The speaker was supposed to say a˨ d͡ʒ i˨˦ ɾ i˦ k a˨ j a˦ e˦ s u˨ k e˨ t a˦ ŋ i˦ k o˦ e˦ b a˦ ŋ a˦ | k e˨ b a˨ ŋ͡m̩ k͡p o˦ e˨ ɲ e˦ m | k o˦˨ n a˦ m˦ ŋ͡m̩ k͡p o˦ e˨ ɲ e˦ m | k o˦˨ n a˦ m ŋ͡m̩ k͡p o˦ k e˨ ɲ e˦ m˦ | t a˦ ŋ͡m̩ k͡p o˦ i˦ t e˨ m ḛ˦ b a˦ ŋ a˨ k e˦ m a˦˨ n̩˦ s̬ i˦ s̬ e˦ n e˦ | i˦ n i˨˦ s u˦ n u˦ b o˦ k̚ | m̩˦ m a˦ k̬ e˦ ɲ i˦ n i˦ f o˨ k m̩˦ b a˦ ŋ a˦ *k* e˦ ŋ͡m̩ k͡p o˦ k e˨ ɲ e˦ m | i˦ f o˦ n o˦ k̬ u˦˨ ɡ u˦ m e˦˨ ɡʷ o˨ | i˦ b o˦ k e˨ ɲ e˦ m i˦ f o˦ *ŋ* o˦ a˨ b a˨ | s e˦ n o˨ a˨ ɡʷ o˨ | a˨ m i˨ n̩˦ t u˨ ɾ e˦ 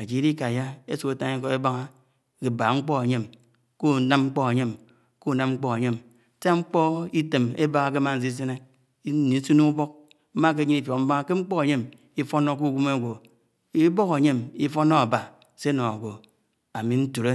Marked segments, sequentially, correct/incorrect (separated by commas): correct, incorrect